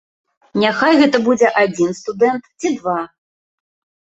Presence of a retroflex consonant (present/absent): absent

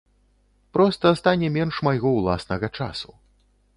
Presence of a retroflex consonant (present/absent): present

